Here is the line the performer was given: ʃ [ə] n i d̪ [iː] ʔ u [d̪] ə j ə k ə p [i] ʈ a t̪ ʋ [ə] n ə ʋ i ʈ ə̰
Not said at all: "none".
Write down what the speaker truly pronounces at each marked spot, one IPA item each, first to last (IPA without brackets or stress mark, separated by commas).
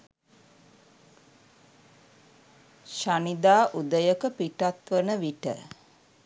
a, aː, d̪, i, ə